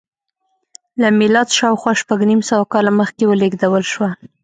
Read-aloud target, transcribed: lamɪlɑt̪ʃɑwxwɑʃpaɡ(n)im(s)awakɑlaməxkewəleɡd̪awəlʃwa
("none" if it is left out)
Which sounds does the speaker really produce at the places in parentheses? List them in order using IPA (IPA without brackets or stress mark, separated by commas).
n, s